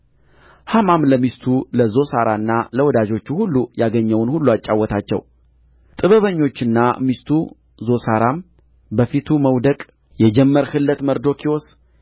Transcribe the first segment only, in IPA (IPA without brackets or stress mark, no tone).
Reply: h